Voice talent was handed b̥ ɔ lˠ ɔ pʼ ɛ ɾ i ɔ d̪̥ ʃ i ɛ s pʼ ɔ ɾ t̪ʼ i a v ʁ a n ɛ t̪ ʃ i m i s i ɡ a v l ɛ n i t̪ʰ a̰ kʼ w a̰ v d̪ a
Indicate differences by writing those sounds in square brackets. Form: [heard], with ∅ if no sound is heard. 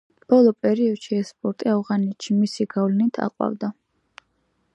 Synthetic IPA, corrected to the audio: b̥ ɔ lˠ ɔ pʼ ɛ ɾ i ɔ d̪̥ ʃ i ɛ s pʼ ɔ ɾ t̪ʼ i a v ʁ a n ɛ t̪ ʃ i m i s i ɡ a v l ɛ n i t̪ʰ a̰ [qʼ] w a̰ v d̪ a